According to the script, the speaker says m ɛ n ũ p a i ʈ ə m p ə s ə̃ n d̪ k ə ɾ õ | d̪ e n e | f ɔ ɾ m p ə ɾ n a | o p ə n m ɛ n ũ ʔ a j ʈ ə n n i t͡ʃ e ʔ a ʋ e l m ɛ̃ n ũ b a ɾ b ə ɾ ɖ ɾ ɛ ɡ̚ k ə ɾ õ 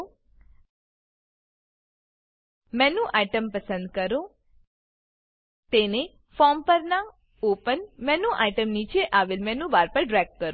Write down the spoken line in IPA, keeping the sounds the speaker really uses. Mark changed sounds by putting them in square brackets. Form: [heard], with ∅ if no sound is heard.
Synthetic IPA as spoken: m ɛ n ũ [ʔ] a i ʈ ə m p ə s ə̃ n d̪ k ə ɾ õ | [t̪] e n e | f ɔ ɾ m p ə ɾ n a | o p ə n m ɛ n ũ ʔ a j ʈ ə [m] n i t͡ʃ e ʔ a ʋ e l m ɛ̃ n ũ b a ɾ [p] ə ɾ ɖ ɾ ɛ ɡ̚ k ə ɾ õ